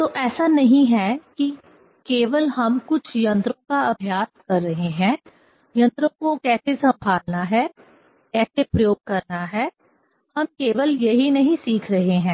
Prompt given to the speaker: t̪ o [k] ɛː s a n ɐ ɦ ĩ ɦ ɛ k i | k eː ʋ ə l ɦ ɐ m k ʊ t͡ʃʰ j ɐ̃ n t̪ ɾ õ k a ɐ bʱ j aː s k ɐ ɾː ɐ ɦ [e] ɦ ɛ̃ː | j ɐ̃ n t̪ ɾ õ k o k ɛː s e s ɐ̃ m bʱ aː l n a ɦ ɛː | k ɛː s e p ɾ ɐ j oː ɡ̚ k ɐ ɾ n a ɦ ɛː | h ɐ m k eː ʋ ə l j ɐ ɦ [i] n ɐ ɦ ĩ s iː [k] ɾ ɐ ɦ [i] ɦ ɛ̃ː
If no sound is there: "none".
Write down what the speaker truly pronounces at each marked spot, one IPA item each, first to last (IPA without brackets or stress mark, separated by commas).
ʔ, e, i, kʰ, e